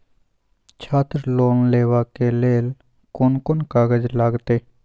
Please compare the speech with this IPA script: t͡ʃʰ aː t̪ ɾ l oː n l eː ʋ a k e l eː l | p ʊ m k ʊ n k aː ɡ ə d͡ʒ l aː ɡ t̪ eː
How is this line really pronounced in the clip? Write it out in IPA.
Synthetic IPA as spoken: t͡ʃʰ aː t̪ ɾ l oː n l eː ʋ a k e l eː l | k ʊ n k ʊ n k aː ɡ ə d͡ʒ l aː ɡ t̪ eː